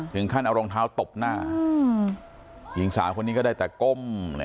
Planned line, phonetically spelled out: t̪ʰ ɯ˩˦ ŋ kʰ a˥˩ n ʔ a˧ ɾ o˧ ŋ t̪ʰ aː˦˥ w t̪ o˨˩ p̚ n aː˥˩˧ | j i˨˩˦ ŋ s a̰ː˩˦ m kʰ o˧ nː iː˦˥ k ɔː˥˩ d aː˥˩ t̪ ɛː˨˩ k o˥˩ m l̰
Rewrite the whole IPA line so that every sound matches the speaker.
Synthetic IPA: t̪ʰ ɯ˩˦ ŋ kʰ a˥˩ n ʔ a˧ ɾ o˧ ŋ t̪ʰ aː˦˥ w t̪ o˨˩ p̚ n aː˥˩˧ | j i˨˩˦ ŋ s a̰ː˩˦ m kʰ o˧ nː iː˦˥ k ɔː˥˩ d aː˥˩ t̪ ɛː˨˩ k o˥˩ m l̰